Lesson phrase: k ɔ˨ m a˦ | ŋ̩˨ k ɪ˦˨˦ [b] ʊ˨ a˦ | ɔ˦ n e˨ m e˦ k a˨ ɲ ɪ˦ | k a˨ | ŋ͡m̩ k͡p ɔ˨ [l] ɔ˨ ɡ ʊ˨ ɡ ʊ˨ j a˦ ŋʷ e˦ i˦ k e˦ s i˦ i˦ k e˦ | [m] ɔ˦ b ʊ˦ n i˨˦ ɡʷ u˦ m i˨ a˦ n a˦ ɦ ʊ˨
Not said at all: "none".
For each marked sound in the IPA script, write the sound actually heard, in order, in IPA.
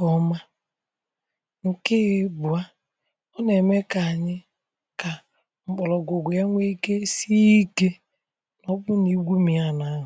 b, l, n

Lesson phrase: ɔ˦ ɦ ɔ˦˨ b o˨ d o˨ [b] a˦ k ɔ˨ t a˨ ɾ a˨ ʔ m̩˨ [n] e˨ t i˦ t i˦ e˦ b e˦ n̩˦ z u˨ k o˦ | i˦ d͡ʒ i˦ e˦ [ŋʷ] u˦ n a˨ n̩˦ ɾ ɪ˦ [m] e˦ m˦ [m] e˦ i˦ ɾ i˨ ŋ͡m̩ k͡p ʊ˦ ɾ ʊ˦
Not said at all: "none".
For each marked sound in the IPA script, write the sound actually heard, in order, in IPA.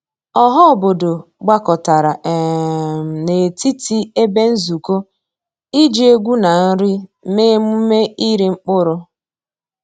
ɡ͡b, n, ɡʷ, m, m

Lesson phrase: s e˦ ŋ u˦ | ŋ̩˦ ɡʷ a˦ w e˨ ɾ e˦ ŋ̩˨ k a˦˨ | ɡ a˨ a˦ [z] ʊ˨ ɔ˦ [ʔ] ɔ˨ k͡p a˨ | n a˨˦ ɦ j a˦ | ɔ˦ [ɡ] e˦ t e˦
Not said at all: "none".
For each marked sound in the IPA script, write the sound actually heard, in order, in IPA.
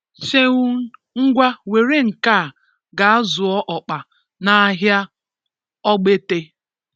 z, ʔ, ɡ͡b

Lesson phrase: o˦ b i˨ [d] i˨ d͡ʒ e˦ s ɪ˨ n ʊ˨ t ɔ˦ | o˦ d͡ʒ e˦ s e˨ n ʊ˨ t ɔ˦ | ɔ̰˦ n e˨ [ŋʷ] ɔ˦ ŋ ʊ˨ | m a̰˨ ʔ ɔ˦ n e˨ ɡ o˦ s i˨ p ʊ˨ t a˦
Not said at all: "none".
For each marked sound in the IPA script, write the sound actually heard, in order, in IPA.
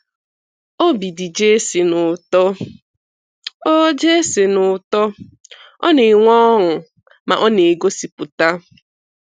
d, ŋʷ

